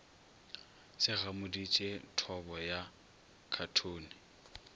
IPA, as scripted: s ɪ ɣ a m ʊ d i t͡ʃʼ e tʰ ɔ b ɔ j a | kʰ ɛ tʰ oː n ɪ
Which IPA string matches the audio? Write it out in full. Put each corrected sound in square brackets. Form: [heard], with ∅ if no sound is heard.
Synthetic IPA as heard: s ɪ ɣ a m ʊ d i t͡ʃʼ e tʰ ɔ b ɔ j a | kʰ [a] tʰ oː n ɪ